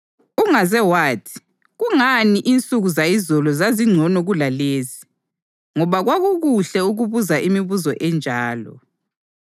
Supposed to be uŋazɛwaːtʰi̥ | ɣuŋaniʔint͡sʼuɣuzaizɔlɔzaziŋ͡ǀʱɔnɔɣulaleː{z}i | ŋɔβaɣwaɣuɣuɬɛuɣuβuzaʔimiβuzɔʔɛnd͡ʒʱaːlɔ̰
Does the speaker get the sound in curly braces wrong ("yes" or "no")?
no